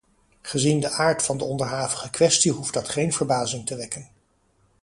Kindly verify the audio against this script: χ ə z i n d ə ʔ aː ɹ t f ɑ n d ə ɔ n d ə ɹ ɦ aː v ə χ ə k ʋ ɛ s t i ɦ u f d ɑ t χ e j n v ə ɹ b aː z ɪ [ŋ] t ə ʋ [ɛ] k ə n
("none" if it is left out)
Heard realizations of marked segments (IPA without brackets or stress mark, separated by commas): ŋ, ɛ